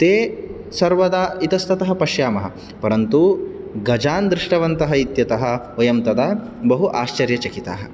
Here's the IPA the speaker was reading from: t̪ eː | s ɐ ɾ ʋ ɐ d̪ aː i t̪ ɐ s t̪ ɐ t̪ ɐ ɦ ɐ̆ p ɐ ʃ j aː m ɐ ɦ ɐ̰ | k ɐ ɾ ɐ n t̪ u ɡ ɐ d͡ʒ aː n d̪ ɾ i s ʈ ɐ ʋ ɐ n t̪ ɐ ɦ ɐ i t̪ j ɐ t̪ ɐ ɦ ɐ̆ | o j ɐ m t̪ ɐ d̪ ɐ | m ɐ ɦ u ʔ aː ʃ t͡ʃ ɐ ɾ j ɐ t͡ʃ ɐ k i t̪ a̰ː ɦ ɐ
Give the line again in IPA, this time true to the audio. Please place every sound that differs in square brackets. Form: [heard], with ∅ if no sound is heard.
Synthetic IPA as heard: t̪ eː | s ɐ ɾ ʋ ɐ d̪ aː i t̪ ɐ s t̪ ɐ t̪ ɐ ɦ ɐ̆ p ɐ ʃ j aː m ɐ ɦ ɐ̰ | [p] ɐ ɾ ɐ n t̪ u ɡ ɐ d͡ʒ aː n d̪ ɾ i [ʂ] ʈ ɐ ʋ ɐ n t̪ ɐ ɦ ɐ i t̪ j ɐ t̪ ɐ ɦ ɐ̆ | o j ɐ m t̪ ɐ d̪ ɐ | [b] ɐ ɦ u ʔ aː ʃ t͡ʃ ɐ ɾ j ɐ t͡ʃ ɐ k i t̪ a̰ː ɦ ɐ

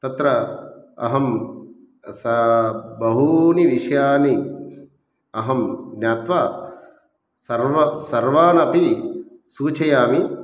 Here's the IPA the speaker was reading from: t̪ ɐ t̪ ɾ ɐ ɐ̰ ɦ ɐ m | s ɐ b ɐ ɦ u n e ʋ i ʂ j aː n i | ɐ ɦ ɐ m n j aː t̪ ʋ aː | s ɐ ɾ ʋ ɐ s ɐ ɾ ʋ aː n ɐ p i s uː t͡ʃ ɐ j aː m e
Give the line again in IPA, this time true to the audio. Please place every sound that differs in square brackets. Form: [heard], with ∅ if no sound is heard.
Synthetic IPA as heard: t̪ ɐ t̪ ɾ ɐ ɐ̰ ɦ ɐ m | s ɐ b ɐ ɦ u n [i] ʋ i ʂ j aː n i | ɐ ɦ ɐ m n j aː t̪ ʋ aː | s ɐ ɾ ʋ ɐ s ɐ ɾ ʋ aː n ɐ p i s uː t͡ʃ ɐ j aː m [i]

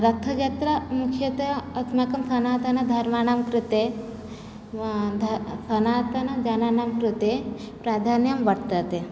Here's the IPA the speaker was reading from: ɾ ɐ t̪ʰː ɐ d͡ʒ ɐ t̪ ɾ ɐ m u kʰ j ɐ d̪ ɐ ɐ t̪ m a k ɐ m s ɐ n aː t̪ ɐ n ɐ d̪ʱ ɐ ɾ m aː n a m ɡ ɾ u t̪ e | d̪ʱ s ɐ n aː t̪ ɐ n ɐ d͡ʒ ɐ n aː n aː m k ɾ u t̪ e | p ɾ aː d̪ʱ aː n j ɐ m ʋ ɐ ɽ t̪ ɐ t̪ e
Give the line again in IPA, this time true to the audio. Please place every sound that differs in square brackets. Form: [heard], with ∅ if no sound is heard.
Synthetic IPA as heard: ɾ ɐ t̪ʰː ɐ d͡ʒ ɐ t̪ ɾ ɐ m u kʰ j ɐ [t̪] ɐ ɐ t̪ m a k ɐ m s ɐ n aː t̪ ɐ n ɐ d̪ʱ ɐ ɾ m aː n a m [k] ɾ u t̪ e | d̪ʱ s ɐ n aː t̪ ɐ n ɐ d͡ʒ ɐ n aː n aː m k ɾ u t̪ e | p ɾ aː d̪ʱ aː n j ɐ m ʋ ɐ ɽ t̪ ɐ t̪ e

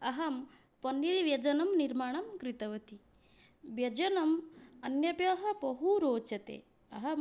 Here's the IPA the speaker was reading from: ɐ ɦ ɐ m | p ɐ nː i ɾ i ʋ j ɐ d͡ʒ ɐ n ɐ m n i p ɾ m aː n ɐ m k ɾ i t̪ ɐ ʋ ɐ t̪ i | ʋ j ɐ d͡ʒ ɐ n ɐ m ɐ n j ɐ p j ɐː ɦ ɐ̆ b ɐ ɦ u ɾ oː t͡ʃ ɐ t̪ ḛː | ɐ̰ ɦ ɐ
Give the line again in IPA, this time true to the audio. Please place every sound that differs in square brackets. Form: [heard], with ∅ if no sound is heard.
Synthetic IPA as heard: ɐ ɦ ɐ m | p ɐ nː i ɾ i ʋ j ɐ d͡ʒ ɐ n ɐ m n i [∅] ɾ m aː [ɳ] ɐ m k ɾ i t̪ ɐ ʋ ɐ t̪ i | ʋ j ɐ d͡ʒ ɐ n ɐ m ɐ n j ɐ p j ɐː ɦ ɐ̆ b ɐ ɦ u ɾ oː t͡ʃ ɐ t̪ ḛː | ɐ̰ ɦ ɐ

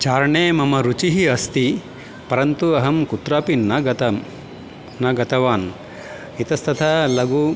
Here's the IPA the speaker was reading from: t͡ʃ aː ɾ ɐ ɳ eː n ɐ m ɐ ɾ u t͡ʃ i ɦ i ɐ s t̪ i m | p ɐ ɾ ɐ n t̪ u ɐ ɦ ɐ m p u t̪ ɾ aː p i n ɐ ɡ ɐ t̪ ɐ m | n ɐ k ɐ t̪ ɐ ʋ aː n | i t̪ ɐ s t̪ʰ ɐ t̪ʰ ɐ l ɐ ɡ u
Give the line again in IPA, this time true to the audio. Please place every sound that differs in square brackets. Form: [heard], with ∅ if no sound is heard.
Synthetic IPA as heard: t͡ʃ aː ɾ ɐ ɳ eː [m] ɐ m ɐ ɾ u t͡ʃ i ɦ i ɐ s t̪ i [∅] | p ɐ ɾ ɐ n t̪ u ɐ ɦ ɐ m [k] u t̪ ɾ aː p i n ɐ ɡ ɐ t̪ ɐ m | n ɐ [ɡ] ɐ t̪ ɐ ʋ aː n | i t̪ ɐ s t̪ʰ ɐ t̪ʰ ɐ l ɐ ɡ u

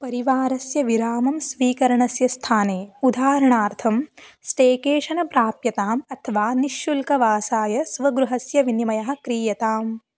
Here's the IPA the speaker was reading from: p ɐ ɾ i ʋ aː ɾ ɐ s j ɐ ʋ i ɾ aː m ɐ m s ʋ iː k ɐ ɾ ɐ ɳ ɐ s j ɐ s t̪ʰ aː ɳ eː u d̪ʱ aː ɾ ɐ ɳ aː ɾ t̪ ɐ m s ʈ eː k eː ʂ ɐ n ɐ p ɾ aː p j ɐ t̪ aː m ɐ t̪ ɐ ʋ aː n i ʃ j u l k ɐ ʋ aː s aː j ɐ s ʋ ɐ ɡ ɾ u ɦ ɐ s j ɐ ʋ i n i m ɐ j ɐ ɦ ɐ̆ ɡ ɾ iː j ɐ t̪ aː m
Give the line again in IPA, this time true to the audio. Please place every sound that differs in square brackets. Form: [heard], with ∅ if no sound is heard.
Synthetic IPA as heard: p ɐ ɾ i ʋ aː ɾ ɐ s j ɐ ʋ i ɾ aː m ɐ m s ʋ iː k ɐ ɾ ɐ ɳ ɐ s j ɐ s t̪ʰ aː [n] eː u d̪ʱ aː ɾ ɐ ɳ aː ɾ [t̪ʰ] ɐ m s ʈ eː k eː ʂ ɐ n ɐ p ɾ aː p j ɐ t̪ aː m ɐ [t̪ʰ] ɐ ʋ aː n i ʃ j u l k ɐ ʋ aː s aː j ɐ s ʋ ɐ ɡ ɾ u ɦ ɐ s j ɐ ʋ i n i m ɐ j ɐ ɦ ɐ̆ [k] ɾ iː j ɐ t̪ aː m

